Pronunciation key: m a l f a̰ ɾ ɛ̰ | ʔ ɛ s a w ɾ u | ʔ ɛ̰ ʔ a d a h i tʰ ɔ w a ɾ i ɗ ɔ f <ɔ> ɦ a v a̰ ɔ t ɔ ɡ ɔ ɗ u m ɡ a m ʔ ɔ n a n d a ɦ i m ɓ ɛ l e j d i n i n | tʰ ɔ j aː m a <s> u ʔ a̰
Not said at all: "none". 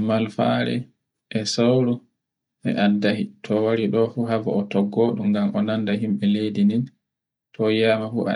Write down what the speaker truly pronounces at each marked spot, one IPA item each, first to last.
u, f

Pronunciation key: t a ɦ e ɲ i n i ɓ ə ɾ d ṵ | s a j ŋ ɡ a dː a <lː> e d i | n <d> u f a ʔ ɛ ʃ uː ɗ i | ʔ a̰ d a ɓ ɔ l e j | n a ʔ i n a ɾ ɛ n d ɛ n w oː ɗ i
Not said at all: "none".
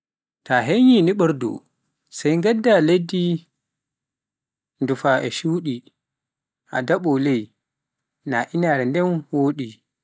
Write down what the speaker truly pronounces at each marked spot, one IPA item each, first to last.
l, d

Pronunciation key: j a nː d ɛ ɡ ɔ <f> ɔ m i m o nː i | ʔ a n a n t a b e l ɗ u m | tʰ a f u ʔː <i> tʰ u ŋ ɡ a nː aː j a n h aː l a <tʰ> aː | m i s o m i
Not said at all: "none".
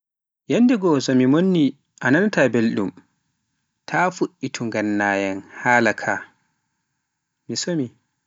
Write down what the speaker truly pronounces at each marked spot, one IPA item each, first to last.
s, i, kʰ

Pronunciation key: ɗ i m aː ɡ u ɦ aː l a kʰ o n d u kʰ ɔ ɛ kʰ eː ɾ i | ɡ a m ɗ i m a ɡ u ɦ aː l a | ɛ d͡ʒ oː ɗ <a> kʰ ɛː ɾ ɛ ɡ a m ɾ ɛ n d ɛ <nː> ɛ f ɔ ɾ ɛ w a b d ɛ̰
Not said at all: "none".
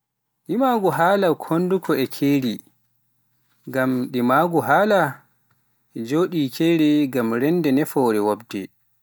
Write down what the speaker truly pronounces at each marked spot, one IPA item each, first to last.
i, n

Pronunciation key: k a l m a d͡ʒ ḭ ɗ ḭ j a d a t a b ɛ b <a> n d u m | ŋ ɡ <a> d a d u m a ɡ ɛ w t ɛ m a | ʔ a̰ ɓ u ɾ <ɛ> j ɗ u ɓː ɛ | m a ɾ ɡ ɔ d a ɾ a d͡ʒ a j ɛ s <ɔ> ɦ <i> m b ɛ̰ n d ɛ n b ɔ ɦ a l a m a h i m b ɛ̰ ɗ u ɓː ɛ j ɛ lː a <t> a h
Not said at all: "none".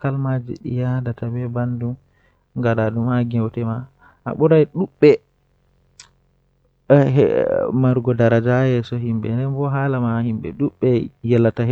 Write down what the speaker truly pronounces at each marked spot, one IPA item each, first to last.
a, a, a, ɔ, i, t

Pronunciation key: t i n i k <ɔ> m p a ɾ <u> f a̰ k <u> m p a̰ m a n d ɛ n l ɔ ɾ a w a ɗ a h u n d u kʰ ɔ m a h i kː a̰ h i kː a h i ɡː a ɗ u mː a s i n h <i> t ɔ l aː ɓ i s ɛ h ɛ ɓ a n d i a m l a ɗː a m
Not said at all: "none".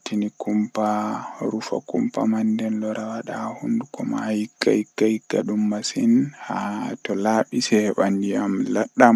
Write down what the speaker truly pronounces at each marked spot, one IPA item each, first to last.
u, u, u, a

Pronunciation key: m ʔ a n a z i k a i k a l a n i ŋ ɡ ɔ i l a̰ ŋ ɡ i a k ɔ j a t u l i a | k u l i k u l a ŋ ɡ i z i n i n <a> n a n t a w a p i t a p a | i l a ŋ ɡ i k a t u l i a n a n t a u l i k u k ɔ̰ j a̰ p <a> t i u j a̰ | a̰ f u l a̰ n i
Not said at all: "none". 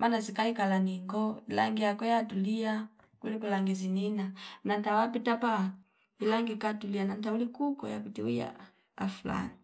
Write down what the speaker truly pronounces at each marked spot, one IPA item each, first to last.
a, i

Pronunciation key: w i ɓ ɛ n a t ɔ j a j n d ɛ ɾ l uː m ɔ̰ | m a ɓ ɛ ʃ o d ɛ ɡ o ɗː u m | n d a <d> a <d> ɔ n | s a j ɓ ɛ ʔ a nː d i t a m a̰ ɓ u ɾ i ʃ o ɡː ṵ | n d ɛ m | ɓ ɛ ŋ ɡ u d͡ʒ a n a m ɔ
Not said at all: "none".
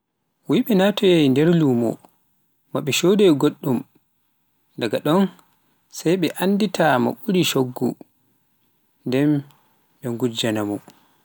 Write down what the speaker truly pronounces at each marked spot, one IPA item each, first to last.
ɡ, ɗ

